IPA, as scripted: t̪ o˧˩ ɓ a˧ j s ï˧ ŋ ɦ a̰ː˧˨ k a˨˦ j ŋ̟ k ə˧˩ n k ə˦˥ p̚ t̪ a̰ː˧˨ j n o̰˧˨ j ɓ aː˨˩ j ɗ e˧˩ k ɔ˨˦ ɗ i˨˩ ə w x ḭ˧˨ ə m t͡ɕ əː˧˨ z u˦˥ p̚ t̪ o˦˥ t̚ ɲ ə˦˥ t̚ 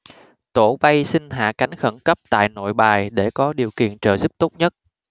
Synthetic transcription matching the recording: t̪ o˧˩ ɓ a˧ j s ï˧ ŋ ɦ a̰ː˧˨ k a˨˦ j ŋ̟ x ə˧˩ n k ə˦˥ p̚ t̪ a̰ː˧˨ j n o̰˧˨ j ɓ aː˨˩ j ɗ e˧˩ k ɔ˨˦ ɗ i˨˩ ə w k ḭ˧˨ ə n t͡ɕ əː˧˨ z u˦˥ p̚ t̪ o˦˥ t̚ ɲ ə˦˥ t̚

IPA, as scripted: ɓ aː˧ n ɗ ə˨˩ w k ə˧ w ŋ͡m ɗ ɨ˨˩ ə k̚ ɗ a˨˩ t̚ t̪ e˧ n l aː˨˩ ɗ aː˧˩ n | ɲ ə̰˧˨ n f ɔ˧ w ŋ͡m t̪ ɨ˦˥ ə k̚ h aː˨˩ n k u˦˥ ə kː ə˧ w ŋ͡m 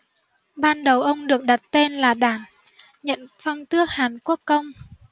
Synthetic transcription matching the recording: ɓ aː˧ n ɗ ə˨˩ w ʔ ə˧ w ŋ͡m ɗ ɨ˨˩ ə k̚ ɗ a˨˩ t̚ t̪ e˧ n l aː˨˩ ɗ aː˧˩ n | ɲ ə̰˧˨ n f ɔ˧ w ŋ͡m t̪ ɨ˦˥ ə k̚ h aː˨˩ n k u˦˥ ə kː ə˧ w ŋ͡m

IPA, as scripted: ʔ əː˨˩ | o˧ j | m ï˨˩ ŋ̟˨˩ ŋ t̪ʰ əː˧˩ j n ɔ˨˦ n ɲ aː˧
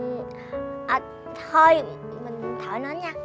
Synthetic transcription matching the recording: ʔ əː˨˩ | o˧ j | m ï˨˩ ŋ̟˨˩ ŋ t̪ʰ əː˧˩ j n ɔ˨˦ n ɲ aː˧

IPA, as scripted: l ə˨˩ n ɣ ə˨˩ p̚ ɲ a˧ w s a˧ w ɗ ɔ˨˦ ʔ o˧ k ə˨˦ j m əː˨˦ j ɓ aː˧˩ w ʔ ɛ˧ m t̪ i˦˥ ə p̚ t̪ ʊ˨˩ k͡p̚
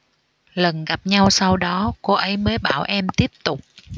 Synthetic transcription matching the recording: l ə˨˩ n ɣ a˨˩ p̚ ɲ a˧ w s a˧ w ɗ ɔ˨˦ k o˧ ʔ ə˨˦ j m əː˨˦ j ɓ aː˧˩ w ʔ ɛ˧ m t̪ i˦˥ ə p̚ t̪ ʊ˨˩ k͡p̚

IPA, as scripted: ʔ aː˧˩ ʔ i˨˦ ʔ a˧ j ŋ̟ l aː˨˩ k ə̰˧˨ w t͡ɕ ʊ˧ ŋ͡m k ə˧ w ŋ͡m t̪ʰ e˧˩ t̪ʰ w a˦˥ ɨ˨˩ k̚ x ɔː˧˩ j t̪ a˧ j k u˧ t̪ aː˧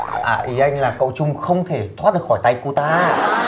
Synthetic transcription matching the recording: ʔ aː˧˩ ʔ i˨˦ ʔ a˧ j ŋ̟ l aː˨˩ k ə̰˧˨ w t͡ɕ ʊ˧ ŋ͡m x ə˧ w ŋ͡m t̪ʰ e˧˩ t̪ʰ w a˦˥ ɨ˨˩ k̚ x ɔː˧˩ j t̪ a˧ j k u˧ t̪ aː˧

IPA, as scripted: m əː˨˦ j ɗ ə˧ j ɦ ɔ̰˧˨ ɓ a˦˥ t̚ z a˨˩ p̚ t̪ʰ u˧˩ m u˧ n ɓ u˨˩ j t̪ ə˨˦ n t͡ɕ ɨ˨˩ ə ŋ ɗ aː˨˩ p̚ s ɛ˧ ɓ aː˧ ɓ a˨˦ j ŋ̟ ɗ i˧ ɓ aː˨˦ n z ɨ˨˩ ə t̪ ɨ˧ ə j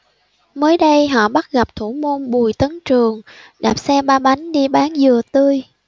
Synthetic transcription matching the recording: m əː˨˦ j ɗ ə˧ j ɦ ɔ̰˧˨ ɓ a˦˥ t̚ ɣ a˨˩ p̚ t̪ʰ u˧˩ m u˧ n ɓ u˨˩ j t̪ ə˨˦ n t͡ɕ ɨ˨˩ ə ŋ ɗ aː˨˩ p̚ s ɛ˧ ɓ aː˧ ɓ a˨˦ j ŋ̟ ɗ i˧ ɓ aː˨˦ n z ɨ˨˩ ə t̪ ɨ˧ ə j

